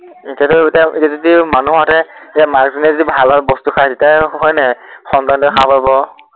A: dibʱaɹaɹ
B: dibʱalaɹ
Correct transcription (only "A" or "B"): B